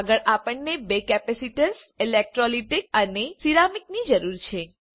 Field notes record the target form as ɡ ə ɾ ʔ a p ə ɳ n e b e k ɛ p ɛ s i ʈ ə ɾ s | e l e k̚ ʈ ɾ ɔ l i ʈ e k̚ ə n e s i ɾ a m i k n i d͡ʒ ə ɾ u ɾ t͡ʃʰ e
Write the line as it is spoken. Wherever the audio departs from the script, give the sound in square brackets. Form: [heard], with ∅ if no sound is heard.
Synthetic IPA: ɡ ə [ɭ] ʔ a p ə ɳ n e b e k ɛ p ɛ s i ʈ ə ɾ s | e l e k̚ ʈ ɾ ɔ l i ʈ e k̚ ə n e s i ɾ a m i k n i d͡ʒ ə ɾ u ɾ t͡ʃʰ e